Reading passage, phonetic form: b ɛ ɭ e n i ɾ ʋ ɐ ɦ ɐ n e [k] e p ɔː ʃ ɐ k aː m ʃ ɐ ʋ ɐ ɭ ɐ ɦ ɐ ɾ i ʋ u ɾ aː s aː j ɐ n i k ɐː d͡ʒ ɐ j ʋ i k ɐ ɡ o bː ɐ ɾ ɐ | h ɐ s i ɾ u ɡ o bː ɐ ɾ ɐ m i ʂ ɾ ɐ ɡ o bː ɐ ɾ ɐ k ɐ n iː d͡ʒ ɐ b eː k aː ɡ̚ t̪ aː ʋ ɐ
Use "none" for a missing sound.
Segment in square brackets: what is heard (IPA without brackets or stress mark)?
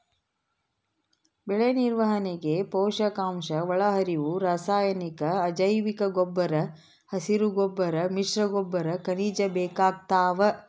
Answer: ɡ